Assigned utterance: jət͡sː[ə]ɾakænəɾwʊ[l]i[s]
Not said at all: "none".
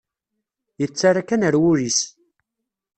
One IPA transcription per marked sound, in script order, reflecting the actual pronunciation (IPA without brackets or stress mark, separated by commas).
a, ɾ, s